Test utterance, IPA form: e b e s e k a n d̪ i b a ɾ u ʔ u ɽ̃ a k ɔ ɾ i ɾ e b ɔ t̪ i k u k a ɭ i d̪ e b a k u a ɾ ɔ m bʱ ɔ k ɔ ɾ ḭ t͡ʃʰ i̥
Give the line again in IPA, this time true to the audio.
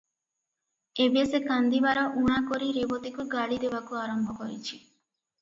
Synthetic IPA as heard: e b e s e k a n d̪ i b a ɾ ɔ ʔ u ɽ̃ a k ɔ ɾ i ɾ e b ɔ t̪ i k u ɡ a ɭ i d̪ e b a k u a ɾ ɔ m bʱ ɔ k ɔ ɾ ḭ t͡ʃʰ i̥

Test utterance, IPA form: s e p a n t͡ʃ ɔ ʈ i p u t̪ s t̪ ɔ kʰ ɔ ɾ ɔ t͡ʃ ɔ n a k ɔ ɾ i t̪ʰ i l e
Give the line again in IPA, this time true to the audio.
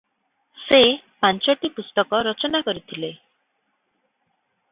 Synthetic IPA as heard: s e p a n t͡ʃ ɔ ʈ i p u s t̪ ɔ k ɔ ɾ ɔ t͡ʃ ɔ n a k ɔ ɾ i t̪ʰ i l e

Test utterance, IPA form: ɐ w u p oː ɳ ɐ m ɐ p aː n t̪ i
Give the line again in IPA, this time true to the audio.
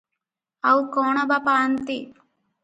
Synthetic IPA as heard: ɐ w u k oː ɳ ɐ b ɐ p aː n t̪ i

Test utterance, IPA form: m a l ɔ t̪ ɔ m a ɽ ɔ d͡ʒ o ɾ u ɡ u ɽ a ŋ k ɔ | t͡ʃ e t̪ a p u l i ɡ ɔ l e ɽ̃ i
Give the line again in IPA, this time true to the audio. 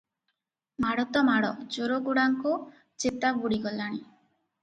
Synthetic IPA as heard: m a ɽ ɔ t̪ ɔ m a ɽ ɔ d͡ʒ o ɾ o ɡ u ɽ a ŋ k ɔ | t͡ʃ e t̪ a b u ɽ i ɡ ɔ l a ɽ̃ i

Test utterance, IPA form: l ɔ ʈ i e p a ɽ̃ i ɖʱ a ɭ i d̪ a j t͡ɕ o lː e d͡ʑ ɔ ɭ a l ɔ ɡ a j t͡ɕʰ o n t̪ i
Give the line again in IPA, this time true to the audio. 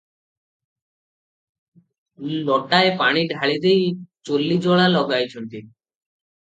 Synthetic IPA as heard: l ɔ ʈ a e p a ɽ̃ i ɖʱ a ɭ i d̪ e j t͡ɕ o lː i d͡ʑ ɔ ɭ a l ɔ ɡ a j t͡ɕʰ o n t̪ i

